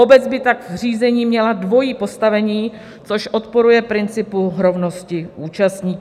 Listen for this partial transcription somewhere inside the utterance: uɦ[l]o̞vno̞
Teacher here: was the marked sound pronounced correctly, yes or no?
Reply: no